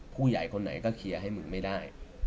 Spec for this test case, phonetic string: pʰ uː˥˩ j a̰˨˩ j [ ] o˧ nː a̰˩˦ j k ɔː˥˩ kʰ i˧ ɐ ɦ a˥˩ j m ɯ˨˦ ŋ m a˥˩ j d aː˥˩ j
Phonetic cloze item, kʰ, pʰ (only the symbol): kʰ